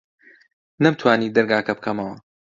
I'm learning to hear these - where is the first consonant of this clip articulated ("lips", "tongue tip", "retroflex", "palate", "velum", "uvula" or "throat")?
tongue tip